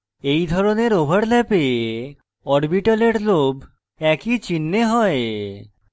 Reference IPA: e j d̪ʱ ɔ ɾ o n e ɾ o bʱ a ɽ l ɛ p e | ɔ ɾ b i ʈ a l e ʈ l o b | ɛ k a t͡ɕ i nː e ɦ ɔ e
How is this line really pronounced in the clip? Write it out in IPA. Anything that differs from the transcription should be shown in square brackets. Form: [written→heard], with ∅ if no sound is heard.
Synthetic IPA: e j d̪ʱ ɔ ɾ o n e ɾ o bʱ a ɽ l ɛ p e | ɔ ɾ b i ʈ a l e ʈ l o b | ɛ k [a→i] t͡ɕ i nː e ɦ ɔ e